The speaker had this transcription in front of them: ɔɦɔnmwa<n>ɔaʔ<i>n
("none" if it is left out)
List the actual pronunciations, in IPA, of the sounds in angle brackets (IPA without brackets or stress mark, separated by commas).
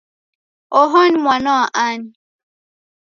n, a